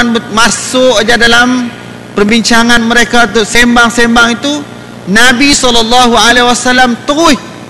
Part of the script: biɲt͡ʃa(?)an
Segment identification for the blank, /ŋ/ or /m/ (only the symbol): ŋ